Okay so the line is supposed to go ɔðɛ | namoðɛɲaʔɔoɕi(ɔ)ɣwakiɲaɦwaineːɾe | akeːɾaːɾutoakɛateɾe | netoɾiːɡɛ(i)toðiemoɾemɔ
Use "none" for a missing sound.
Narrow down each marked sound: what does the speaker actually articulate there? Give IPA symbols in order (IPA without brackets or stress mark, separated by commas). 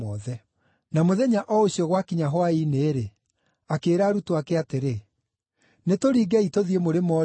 ɔ, i